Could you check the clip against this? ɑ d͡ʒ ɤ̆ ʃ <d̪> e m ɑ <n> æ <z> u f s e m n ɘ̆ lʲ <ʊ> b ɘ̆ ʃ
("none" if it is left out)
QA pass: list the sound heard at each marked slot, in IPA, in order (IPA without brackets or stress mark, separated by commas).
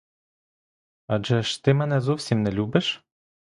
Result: t̪, n, z, u